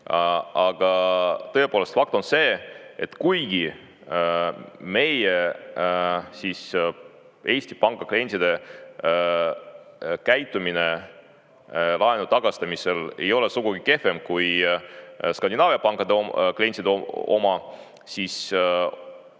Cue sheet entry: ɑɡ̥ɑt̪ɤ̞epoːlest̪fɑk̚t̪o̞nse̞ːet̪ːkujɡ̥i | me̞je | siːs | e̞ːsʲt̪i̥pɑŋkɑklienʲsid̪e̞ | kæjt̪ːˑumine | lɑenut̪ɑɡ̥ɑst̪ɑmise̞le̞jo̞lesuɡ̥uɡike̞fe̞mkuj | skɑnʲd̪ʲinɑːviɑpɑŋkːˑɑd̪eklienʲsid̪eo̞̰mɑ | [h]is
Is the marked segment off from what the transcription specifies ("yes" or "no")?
yes